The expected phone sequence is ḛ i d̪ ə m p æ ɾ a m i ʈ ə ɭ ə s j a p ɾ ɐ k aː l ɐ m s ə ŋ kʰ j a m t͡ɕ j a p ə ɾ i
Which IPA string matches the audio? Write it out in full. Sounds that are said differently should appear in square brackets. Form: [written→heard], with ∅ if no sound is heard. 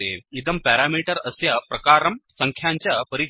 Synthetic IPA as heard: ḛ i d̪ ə m p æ ɾ a m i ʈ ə [ɭ→ɾ] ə s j a p ɾ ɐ k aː [l→ɾ] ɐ m s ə ŋ kʰ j a [m→ɲ] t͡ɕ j a p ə ɾ i